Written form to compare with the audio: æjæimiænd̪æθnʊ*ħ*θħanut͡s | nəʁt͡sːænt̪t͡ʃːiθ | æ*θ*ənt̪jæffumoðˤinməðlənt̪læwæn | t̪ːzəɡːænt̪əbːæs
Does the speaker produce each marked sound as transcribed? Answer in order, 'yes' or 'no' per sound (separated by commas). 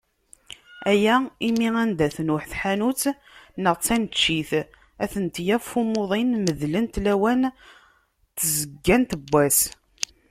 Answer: yes, yes